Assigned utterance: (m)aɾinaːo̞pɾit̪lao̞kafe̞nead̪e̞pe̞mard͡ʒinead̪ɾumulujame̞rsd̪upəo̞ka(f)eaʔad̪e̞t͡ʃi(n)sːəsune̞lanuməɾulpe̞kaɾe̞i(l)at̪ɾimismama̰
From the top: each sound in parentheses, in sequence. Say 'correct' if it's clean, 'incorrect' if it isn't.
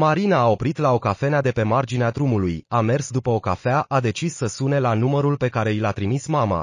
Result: correct, correct, incorrect: none, correct

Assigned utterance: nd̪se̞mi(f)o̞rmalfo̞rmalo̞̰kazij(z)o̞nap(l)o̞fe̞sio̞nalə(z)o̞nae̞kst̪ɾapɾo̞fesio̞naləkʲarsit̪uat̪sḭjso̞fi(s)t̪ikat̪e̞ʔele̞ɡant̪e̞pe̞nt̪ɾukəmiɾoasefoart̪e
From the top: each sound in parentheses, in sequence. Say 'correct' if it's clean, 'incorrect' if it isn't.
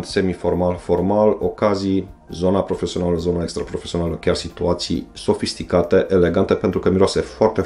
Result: correct, correct, incorrect: ɾ, correct, correct

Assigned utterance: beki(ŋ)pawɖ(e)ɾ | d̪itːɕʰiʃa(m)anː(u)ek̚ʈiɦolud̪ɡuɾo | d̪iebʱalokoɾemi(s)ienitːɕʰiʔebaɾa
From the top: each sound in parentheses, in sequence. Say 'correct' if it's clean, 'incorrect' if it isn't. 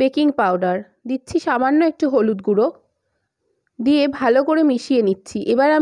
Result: correct, incorrect: a, correct, incorrect: o, incorrect: ʃ

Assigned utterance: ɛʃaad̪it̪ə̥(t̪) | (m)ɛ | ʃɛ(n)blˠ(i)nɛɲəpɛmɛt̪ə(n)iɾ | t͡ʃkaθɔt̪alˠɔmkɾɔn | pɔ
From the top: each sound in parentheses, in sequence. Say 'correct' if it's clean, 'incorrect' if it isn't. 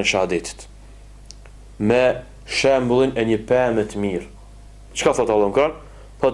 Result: correct, correct, incorrect: m, correct, incorrect: m

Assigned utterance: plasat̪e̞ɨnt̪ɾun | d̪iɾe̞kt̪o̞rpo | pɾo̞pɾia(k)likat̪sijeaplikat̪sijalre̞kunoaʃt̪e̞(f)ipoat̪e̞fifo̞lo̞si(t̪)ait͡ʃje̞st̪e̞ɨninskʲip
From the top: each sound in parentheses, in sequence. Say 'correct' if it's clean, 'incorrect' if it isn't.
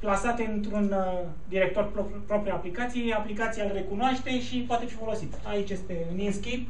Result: incorrect: p, incorrect: ʃ, correct

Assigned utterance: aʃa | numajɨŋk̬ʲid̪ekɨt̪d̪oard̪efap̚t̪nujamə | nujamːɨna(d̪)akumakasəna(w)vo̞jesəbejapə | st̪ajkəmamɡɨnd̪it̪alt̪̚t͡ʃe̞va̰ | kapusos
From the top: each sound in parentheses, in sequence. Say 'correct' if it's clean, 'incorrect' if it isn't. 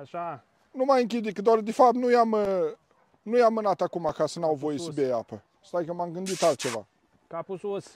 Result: incorrect: t̪, correct

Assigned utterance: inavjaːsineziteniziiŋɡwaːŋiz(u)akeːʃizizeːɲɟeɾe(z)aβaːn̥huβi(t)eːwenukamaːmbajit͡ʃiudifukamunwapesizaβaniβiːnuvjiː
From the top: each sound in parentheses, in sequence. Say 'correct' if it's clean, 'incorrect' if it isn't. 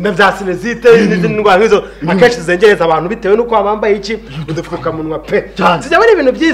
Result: incorrect: o, correct, correct

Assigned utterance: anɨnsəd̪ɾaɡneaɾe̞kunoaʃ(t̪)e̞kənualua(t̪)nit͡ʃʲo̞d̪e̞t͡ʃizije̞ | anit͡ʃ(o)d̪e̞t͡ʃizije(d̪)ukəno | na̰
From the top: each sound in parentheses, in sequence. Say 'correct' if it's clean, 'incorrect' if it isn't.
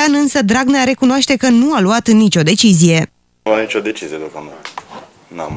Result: correct, correct, correct, correct

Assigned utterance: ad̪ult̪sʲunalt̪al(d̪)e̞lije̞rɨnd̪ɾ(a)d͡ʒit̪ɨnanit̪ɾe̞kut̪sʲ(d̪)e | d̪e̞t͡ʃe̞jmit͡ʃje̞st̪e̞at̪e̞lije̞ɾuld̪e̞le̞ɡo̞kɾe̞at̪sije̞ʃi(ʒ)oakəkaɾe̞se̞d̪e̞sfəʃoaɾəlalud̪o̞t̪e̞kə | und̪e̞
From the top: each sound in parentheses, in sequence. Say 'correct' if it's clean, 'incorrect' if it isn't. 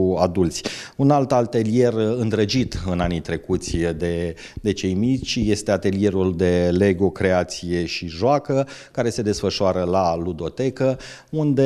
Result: incorrect: t̪, incorrect: ə, correct, correct

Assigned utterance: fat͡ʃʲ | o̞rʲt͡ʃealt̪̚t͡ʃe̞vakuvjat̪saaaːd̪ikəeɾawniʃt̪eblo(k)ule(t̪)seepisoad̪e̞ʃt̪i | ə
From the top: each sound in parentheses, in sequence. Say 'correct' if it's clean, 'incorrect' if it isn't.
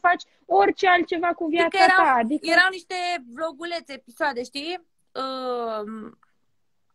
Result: incorrect: ɡ, correct

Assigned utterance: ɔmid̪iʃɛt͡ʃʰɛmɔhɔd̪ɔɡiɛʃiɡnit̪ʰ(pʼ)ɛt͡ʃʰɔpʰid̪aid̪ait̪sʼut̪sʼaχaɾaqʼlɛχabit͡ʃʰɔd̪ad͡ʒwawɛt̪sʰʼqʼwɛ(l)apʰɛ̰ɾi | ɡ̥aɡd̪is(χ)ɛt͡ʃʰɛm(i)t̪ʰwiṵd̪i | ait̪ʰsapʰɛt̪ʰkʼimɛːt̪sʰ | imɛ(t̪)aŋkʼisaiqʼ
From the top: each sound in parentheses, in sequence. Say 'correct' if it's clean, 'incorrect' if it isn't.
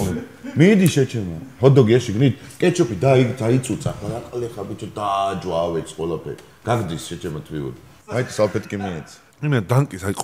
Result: incorrect: kʼ, correct, incorrect: ʃ, incorrect: a, incorrect: d̪

